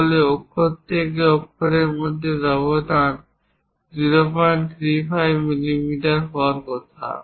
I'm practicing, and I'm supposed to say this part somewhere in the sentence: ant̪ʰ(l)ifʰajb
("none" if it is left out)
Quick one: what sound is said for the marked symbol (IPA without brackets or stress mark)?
ɾ